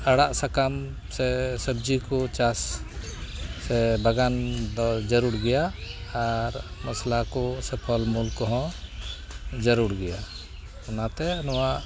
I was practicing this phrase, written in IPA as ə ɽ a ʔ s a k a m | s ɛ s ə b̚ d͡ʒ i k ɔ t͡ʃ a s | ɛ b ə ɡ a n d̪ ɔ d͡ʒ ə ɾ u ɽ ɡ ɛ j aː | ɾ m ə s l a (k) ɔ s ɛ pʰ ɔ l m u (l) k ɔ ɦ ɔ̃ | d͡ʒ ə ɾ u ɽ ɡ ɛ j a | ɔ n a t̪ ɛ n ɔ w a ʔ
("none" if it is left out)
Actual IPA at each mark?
k, l

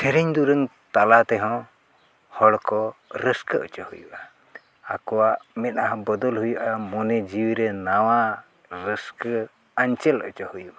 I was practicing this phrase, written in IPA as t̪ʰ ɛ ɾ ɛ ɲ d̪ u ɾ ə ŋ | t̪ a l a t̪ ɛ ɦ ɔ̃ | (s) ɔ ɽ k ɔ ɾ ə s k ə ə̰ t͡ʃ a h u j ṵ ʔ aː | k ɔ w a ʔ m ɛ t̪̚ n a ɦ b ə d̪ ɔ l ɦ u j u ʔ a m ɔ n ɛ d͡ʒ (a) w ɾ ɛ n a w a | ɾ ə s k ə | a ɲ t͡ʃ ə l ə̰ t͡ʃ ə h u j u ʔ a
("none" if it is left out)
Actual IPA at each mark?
h, i

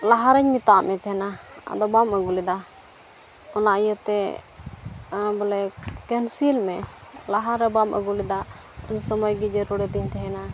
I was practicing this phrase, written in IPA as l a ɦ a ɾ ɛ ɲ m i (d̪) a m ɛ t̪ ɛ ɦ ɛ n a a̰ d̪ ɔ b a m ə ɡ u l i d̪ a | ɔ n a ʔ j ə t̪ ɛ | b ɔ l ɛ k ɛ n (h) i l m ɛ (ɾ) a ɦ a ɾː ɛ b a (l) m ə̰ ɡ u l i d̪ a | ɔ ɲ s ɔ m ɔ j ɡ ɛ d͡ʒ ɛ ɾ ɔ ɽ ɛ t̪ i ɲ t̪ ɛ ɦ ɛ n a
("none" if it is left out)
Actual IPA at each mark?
t̪, s, l, none

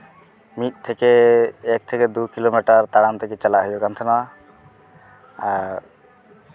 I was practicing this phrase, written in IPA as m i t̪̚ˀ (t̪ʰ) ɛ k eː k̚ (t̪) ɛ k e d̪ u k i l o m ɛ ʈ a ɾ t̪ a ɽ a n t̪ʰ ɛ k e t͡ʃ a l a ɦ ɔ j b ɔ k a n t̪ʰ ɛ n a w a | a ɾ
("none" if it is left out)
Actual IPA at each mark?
t̪ʰ, t̪ʰ

